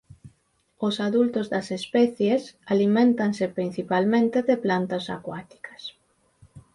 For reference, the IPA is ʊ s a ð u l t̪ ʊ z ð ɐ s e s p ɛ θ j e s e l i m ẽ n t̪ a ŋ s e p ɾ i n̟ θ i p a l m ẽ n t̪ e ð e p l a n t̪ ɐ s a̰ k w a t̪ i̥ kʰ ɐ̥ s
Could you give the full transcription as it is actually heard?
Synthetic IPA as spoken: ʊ s a ð u l t̪ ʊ z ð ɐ s e s p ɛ θ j e s a l i m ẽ n t̪ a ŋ s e p ɾ i n̟ θ i p a l m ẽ n t̪ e ð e p l a n t̪ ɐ s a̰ k w a t̪ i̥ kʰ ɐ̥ s